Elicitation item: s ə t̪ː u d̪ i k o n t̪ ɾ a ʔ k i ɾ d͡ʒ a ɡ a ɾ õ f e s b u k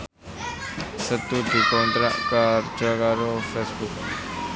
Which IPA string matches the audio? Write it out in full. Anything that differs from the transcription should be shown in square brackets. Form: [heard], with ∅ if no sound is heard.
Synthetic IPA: s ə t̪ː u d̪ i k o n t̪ ɾ a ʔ k [a] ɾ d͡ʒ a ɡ a ɾ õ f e s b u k